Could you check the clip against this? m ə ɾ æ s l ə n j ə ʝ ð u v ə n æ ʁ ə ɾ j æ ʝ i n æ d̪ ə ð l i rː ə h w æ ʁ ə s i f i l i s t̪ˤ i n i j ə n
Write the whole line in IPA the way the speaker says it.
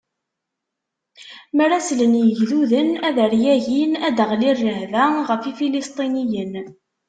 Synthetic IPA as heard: m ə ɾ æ s l ə n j ə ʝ ð u ð ə n æ ð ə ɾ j æ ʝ i n æ d̪ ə ʁ l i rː ə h v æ ʁ ə f i f i l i s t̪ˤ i n i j ə n